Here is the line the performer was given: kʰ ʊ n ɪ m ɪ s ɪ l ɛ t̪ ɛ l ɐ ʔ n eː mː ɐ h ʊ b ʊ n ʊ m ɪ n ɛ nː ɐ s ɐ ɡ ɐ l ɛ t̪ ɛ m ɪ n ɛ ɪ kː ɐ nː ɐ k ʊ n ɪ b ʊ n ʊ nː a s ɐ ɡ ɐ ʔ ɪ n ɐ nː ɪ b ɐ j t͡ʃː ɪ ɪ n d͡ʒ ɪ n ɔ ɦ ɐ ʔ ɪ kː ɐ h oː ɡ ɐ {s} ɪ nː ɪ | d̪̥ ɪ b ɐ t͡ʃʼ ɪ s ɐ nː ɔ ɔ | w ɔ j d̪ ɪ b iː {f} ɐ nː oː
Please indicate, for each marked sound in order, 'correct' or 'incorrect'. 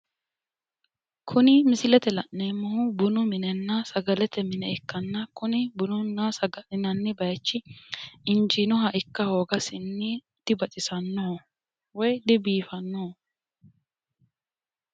correct, correct

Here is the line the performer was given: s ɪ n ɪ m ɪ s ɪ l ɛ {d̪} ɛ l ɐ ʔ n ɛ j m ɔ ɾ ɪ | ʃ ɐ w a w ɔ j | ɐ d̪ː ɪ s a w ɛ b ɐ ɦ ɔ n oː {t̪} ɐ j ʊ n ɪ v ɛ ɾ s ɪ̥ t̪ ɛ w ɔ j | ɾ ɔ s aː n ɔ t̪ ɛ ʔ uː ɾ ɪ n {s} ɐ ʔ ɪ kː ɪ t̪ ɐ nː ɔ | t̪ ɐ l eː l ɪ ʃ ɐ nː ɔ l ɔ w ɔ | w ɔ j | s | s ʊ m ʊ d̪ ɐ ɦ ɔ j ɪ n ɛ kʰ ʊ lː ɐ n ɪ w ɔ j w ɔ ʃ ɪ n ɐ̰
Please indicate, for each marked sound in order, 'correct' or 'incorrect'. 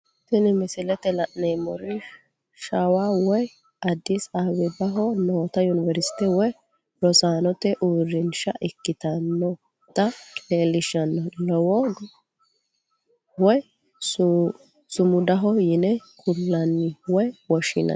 incorrect: t̪, correct, incorrect: ʃ

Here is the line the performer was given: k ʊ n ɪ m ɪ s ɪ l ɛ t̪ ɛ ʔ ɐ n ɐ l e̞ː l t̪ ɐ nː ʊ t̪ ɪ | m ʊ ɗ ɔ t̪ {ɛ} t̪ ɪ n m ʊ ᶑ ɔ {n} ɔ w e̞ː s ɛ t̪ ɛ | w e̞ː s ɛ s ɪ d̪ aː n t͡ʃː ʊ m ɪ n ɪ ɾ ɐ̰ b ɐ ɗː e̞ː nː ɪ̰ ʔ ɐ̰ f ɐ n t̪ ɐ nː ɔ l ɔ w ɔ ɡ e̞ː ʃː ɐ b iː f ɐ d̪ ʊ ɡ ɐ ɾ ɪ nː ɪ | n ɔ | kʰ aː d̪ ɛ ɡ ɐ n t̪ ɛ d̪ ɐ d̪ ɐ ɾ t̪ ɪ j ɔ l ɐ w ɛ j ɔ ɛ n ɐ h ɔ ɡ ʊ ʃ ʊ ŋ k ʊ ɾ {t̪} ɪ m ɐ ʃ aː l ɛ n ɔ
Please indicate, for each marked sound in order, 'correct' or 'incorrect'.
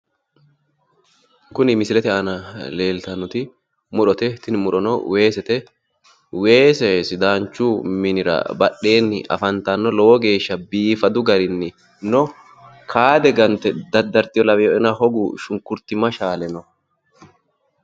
correct, correct, correct

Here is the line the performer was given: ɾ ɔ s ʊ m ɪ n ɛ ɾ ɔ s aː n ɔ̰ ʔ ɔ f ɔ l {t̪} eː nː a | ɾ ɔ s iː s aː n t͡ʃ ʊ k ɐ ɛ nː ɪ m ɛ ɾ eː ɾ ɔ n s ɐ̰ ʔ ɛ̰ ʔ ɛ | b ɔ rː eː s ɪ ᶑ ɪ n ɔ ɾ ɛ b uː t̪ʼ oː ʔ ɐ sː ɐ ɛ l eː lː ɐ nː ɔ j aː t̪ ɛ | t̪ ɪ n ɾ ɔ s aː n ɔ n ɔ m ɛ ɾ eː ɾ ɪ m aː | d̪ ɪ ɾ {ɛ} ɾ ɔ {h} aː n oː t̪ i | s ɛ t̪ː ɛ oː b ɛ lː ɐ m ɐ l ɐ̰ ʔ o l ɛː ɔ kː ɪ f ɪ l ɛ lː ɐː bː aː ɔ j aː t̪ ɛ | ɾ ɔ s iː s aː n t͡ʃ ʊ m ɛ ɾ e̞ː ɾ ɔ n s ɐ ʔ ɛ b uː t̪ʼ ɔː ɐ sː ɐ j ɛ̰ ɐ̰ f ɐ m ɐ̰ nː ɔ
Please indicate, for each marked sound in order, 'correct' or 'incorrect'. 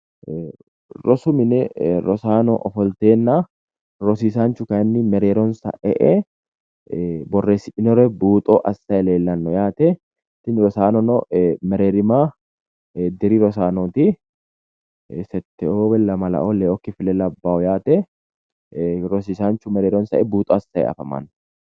correct, incorrect: i, incorrect: s

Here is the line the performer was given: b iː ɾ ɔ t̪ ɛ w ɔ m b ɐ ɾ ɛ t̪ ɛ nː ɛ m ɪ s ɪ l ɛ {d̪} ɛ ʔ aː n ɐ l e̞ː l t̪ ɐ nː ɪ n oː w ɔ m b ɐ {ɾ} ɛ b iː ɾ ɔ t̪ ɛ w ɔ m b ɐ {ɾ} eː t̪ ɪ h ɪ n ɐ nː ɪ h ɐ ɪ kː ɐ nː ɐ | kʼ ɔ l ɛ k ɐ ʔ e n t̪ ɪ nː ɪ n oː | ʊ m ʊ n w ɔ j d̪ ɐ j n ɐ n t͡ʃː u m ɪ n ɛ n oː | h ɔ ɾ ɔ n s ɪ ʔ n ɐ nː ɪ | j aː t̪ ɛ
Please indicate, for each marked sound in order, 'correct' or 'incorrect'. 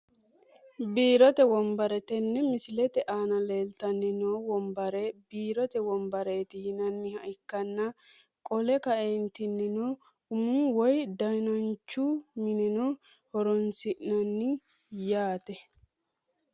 incorrect: t̪, correct, correct

